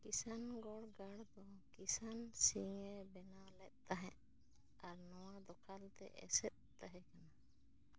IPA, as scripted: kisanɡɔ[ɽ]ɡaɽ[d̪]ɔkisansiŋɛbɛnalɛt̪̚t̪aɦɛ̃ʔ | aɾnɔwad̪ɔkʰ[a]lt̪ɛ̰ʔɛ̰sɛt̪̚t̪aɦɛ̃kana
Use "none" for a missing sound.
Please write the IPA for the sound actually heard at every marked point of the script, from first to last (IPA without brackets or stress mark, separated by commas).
ɽ, d̪, a